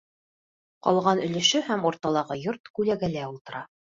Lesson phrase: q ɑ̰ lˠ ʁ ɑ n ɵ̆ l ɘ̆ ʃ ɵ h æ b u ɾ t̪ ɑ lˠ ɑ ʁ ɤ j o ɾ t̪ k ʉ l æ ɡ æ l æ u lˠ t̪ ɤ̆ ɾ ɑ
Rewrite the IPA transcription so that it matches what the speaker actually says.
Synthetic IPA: q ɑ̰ lˠ ʁ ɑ n ɵ̆ l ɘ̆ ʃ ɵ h æ m u ɾ t̪ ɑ lˠ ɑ ʁ ɤ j o ɾ t̪ k ʉ l æ ɡ æ l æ u lˠ t̪ ɤ̆ ɾ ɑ